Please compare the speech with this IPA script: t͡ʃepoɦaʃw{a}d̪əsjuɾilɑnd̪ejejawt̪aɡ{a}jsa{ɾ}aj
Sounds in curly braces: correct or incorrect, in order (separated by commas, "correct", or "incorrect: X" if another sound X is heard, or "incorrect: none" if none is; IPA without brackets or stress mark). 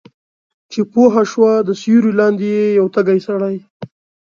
correct, correct, incorrect: ɽ